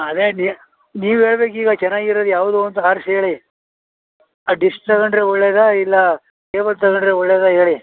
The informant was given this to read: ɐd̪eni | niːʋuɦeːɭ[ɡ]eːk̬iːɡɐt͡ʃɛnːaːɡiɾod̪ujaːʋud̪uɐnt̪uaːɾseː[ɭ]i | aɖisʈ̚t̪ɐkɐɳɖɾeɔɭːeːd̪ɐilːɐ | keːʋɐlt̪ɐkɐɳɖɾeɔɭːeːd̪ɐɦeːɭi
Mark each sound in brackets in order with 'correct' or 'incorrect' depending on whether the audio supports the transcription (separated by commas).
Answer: incorrect, correct